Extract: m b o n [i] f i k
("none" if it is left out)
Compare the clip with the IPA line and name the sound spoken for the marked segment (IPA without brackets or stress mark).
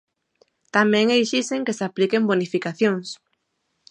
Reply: i